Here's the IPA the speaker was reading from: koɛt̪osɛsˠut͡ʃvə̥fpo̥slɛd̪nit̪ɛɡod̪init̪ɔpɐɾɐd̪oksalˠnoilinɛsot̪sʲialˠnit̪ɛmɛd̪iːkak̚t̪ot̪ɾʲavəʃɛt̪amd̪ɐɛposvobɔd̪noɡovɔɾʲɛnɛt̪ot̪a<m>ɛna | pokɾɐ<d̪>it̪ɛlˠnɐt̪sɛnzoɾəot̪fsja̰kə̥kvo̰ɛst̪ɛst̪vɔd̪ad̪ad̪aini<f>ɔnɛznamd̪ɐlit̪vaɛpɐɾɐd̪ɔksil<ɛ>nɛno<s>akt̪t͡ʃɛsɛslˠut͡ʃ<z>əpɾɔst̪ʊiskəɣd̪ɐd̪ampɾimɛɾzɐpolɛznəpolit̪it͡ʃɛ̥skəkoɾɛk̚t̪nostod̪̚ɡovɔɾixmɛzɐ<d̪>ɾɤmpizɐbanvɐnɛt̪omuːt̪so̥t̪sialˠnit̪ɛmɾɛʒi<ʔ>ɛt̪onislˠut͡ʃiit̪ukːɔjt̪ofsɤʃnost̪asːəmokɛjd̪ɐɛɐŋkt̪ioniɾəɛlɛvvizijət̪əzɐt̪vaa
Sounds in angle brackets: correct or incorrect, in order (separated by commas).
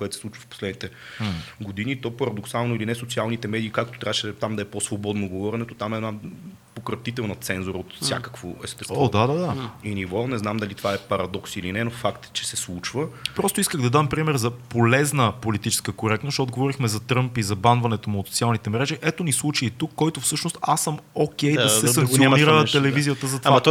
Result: correct, incorrect, incorrect, incorrect, incorrect, incorrect, incorrect, correct